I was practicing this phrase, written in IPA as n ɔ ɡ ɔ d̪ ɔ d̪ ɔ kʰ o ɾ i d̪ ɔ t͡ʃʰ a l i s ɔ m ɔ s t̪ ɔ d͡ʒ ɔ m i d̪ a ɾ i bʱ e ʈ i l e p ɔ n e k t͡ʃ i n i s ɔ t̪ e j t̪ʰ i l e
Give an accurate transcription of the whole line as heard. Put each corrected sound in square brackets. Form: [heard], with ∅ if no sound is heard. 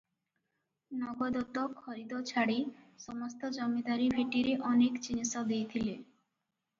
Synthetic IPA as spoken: n ɔ ɡ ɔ d̪ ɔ [t̪] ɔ kʰ [ɔ] ɾ i d̪ ɔ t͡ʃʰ a [ɽ] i s ɔ m ɔ s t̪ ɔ d͡ʒ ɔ m i d̪ a ɾ i bʱ e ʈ i [ɾ] e [ʔ] ɔ n e k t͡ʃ i n i s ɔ [d̪] e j t̪ʰ i l e